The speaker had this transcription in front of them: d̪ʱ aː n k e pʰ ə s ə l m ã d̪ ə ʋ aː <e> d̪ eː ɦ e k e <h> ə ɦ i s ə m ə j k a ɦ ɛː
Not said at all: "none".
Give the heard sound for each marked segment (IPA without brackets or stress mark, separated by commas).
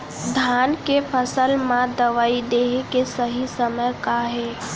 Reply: i, s